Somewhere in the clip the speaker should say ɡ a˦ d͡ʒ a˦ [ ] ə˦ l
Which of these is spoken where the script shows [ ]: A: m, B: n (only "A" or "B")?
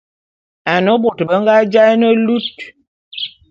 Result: B